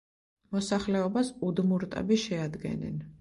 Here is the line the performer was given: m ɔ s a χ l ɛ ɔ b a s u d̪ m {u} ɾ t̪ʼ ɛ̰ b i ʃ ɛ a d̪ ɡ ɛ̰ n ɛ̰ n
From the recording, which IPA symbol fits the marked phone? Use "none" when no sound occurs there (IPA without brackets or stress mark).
u